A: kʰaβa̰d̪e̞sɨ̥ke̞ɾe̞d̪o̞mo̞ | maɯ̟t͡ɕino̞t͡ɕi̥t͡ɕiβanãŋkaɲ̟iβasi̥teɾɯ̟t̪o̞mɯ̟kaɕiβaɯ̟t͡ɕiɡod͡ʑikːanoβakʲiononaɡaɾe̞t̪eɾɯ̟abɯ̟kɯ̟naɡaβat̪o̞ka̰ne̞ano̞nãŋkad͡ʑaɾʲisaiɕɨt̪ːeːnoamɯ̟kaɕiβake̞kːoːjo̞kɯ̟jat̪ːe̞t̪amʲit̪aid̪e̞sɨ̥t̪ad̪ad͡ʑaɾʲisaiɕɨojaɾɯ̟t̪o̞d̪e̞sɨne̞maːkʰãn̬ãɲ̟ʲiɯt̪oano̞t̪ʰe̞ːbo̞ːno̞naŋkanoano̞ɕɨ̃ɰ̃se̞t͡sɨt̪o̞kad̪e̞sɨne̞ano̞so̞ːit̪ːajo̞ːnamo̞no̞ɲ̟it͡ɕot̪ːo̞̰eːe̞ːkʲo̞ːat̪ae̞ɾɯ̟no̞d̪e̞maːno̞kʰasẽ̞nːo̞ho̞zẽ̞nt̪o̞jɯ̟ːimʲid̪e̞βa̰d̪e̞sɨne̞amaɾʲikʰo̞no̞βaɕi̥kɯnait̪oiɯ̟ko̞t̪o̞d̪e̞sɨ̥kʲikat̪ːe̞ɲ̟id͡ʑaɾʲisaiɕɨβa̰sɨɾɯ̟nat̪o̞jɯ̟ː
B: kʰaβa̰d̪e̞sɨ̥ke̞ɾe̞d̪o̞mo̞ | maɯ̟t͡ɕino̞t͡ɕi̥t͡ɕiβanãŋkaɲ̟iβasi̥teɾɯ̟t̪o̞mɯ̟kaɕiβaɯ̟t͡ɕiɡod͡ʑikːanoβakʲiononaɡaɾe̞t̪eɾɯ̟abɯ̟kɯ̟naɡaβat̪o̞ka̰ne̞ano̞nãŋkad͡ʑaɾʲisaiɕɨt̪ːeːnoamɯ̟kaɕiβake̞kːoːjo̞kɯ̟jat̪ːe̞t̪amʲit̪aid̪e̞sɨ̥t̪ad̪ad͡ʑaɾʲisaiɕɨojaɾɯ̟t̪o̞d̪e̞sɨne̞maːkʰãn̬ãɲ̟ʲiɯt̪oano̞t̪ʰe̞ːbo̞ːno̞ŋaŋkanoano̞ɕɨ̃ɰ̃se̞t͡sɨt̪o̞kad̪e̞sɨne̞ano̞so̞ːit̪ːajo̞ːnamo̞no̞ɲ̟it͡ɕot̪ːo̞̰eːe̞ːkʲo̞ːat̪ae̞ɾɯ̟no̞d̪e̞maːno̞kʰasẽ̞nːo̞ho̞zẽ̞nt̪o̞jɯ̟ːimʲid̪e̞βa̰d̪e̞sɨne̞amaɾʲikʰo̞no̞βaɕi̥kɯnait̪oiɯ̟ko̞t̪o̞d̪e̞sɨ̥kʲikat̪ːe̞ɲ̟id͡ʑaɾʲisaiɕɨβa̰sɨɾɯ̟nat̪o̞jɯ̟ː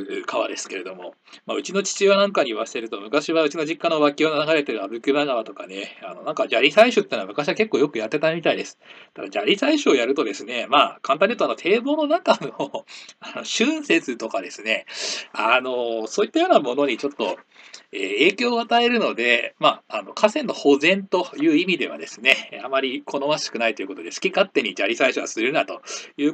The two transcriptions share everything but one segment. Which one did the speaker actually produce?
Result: A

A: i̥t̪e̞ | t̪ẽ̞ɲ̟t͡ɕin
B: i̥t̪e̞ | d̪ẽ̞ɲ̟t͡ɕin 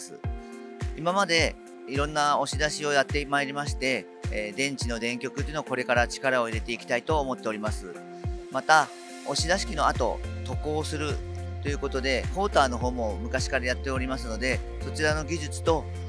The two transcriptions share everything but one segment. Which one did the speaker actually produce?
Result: B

